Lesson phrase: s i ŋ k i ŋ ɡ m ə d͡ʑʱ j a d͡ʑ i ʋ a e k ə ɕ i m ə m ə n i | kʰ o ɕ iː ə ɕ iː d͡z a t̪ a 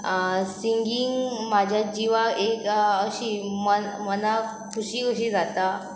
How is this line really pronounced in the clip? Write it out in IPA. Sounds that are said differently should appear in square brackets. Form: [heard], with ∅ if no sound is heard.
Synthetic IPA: s i ŋ [ɡ] i ŋ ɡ m [a] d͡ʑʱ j a d͡ʑ i ʋ a e k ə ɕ i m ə m ə n [a] | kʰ [u] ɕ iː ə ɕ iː d͡z a t̪ a